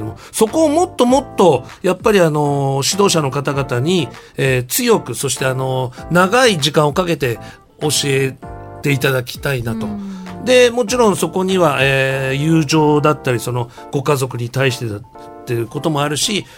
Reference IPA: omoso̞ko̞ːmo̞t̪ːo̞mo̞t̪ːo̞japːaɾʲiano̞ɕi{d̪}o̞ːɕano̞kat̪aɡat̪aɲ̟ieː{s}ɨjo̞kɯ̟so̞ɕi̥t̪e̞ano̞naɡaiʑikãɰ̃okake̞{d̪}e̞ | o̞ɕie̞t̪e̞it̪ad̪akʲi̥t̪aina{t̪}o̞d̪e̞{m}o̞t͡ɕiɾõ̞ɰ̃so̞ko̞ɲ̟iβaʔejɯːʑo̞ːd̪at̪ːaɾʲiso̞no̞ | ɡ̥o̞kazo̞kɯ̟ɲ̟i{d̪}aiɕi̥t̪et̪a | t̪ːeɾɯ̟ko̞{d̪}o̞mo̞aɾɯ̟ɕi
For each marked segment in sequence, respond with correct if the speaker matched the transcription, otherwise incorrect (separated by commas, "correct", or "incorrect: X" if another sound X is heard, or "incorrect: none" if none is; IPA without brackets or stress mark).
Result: correct, incorrect: t͡s, incorrect: t̪, correct, correct, incorrect: t̪, incorrect: t̪